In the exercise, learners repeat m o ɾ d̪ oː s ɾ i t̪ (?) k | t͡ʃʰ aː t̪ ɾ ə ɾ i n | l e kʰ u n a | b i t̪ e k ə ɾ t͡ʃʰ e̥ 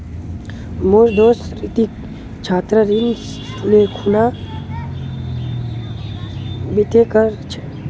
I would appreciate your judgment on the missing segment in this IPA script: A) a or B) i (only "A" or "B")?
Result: B